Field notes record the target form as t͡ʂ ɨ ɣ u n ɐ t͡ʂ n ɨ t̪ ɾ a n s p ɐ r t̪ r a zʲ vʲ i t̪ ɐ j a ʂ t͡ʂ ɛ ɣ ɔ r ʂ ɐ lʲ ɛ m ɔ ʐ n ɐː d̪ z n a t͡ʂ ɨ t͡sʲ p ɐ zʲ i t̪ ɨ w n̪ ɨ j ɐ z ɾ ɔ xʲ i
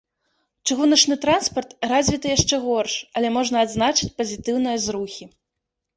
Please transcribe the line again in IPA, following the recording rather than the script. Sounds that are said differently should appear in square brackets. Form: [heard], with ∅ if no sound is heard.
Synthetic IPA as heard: t͡ʂ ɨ ɣ u n ɐ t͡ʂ n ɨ t̪ ɾ a n s p ɐ r t̪ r a zʲ vʲ i t̪ ɐ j a ʂ t͡ʂ ɛ ɣ ɔ r ʂ ɐ lʲ ɛ m ɔ ʐ n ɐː d̪ z n a t͡ʂ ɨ t͡sʲ p ɐ zʲ i t̪ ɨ w n̪ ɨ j ɐ z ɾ [u] xʲ i